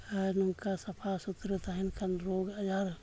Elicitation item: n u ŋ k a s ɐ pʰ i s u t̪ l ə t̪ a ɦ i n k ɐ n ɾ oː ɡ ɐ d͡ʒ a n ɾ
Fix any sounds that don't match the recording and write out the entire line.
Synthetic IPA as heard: n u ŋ k a s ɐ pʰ a s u t̪ ɾ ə t̪ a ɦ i n k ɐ n ɾ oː ɡ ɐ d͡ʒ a ɾ